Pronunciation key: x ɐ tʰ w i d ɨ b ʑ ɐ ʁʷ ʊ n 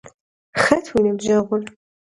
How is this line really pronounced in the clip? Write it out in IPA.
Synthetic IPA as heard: x ɐ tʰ w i n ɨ b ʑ ɐ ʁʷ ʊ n